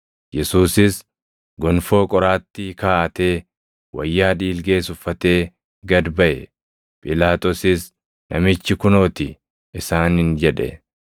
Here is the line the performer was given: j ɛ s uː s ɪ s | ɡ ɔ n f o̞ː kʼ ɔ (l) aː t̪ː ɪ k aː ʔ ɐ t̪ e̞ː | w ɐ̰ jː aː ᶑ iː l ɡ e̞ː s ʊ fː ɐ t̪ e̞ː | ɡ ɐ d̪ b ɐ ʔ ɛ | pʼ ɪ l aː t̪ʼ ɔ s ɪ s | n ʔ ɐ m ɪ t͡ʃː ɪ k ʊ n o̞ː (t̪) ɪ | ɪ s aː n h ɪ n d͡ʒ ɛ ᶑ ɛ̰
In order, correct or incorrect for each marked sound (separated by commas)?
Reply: incorrect, correct